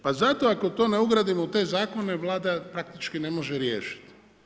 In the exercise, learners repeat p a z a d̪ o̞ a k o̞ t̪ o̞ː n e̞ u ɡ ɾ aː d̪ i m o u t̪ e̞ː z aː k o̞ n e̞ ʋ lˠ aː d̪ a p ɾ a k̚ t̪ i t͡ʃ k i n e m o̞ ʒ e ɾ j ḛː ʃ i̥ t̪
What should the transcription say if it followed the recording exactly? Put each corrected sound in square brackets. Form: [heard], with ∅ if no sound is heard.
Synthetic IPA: p a z a [t̪] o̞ a k o̞ t̪ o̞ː n e̞ u ɡ ɾ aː d̪ i m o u t̪ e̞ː z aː k o̞ n e̞ ʋ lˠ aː d̪ a p ɾ a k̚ t̪ i t͡ʃ k i n e m o̞ ʒ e ɾ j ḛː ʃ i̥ t̪